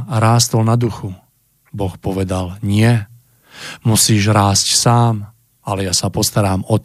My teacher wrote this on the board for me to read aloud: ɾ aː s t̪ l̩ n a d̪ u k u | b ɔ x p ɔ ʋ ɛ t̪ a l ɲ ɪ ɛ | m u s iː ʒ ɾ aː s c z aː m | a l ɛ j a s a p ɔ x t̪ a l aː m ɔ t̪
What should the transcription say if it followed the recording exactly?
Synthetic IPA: ɾ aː s t̪ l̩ n a d̪ u x u | b ɔ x p ɔ ʋ ɛ d̪ a l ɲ ɪ ɛ | m u s iː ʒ ɾ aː s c s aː m | a l ɛ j a s a p ɔ s t̪ a ɾ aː m ɔ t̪